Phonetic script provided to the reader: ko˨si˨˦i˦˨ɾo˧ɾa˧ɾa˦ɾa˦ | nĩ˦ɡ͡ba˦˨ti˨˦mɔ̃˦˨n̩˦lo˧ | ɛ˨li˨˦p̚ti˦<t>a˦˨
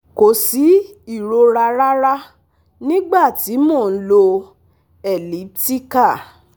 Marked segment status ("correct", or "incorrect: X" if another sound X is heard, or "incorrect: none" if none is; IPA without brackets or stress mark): incorrect: k